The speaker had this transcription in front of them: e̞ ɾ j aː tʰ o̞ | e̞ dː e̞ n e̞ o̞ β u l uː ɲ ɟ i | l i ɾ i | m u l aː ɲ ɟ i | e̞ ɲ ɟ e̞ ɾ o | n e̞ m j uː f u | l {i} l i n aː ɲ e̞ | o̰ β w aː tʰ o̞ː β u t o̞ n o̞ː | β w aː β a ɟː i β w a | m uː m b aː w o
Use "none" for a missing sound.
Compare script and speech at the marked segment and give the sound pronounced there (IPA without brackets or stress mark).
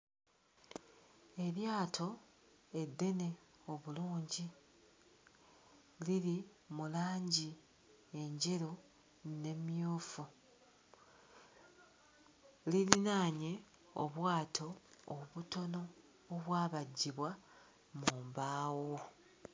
i